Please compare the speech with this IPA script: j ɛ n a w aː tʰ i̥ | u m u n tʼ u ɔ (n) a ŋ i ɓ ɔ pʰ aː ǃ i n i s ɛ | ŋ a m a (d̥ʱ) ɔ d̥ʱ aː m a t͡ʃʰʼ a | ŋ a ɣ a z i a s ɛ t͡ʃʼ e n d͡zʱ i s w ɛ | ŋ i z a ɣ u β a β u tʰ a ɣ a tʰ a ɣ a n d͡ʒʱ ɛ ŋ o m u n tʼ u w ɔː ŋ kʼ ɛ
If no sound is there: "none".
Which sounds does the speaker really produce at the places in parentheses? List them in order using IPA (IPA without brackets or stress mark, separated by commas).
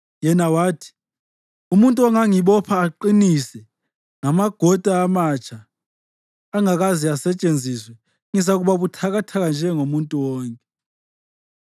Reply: ŋ, ɡ̥ʱ